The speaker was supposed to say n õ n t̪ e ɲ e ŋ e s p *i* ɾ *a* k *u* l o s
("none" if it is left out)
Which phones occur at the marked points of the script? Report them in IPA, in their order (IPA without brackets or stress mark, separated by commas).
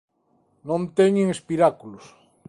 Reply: i, a, u